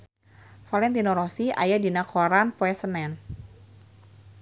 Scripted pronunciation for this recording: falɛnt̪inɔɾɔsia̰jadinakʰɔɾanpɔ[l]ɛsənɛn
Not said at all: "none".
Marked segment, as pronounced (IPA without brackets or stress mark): none